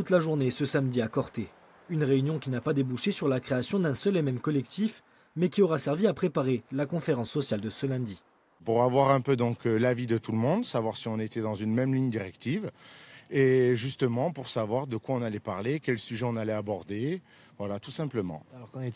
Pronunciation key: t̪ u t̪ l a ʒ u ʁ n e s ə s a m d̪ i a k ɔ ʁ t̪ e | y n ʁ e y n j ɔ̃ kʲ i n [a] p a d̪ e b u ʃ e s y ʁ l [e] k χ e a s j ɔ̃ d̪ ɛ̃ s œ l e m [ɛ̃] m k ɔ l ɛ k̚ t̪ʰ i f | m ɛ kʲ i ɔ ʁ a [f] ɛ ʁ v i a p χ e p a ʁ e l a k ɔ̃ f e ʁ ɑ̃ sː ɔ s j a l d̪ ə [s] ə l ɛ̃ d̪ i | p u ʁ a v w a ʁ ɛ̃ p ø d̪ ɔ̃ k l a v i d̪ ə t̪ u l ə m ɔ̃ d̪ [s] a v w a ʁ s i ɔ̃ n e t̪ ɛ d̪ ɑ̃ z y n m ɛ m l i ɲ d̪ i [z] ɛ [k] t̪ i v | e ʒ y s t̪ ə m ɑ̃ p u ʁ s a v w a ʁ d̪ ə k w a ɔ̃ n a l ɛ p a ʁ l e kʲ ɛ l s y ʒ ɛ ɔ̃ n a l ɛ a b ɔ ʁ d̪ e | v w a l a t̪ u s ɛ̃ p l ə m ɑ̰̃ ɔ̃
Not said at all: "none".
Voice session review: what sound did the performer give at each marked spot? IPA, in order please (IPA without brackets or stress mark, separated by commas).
a, a, ɛ, s, s, s, ʁ, k